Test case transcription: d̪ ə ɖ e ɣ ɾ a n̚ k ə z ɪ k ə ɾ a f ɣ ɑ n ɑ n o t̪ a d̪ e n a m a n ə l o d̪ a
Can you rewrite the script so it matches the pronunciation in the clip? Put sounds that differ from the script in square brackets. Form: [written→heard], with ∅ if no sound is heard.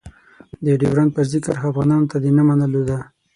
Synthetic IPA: d̪ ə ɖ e [ɣ→w] ɾ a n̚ [k→p] ə z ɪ k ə ɾ a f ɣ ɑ n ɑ n o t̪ a d̪ e n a m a n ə l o d̪ a